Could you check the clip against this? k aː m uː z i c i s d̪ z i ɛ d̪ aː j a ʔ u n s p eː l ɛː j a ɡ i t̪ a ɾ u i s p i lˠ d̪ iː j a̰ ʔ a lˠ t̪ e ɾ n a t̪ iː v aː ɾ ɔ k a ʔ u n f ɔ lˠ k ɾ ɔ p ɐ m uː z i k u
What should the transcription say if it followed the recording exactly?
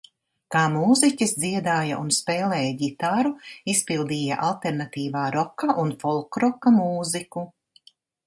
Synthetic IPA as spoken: k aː m uː z i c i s d̪ z i ɛ d̪ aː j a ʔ u n s p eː l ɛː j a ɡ i t̪ a ɾ u i s p i lˠ d̪ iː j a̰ ʔ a lˠ t̪ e ɾ n a t̪ iː v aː ɾ ɔ k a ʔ u n f ɔ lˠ k ɾ ɔ k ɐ m uː z i k u